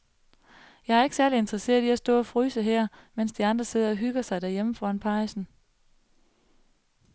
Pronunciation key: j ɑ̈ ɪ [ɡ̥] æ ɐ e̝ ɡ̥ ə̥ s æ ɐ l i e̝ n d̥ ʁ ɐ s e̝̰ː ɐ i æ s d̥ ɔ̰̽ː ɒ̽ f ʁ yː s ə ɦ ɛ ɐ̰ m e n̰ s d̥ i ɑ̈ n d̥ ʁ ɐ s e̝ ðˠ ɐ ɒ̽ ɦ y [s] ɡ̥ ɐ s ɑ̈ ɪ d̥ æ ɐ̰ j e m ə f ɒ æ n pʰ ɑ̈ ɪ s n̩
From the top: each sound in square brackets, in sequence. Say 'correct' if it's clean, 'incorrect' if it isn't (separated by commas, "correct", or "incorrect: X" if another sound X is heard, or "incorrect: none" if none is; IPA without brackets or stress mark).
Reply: incorrect: none, incorrect: none